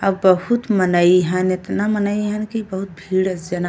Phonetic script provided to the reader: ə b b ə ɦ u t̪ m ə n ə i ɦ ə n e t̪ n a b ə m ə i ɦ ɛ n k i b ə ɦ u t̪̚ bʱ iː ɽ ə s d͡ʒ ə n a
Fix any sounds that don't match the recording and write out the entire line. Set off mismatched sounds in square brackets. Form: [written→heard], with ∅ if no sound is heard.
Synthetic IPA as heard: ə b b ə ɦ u t̪ m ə n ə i ɦ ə n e t̪ n a [b→m] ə [m→n] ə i ɦ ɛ n k i b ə ɦ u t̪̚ bʱ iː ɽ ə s d͡ʒ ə n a